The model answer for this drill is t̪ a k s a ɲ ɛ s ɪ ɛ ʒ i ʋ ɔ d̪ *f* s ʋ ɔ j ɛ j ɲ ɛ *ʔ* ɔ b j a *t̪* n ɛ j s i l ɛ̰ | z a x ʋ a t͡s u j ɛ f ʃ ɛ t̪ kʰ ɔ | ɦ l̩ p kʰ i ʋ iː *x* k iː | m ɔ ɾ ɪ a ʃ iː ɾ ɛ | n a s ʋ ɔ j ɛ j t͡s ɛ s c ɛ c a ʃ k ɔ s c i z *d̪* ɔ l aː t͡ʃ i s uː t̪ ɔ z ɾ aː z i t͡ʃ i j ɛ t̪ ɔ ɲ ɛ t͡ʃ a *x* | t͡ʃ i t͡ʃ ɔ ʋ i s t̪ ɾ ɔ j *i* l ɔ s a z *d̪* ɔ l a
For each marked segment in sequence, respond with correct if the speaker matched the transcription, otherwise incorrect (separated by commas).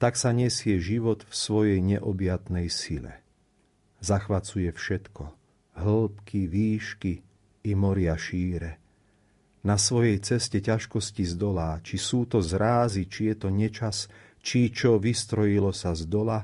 correct, correct, correct, incorrect, correct, incorrect, correct, correct